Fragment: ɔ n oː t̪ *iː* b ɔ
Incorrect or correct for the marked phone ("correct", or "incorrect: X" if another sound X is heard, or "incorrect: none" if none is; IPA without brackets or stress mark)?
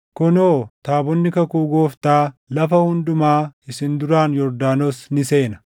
incorrect: aː